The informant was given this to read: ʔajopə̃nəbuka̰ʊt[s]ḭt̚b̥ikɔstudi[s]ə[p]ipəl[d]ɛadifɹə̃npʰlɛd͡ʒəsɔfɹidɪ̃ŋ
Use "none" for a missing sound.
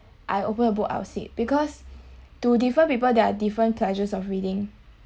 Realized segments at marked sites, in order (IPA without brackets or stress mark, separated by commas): s, f, p, d